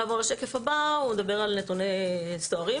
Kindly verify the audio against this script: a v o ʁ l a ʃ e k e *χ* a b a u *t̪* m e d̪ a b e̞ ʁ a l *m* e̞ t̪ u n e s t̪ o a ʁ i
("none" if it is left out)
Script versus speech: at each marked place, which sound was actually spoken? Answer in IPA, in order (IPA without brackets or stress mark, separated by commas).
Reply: f, none, n